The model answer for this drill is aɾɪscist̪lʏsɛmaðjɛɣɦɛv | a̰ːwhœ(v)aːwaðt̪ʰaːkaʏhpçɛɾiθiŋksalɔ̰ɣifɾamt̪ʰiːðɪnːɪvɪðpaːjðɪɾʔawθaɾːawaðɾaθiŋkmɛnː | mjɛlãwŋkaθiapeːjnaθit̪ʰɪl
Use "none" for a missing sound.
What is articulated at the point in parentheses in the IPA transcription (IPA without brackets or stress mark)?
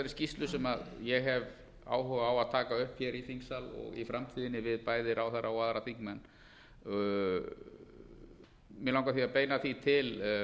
ɣ